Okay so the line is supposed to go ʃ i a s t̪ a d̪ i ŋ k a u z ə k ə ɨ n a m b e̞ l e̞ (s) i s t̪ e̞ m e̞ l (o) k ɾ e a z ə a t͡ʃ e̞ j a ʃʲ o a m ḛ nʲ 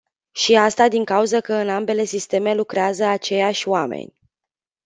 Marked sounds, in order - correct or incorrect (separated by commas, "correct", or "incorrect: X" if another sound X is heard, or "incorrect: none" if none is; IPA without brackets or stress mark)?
correct, incorrect: u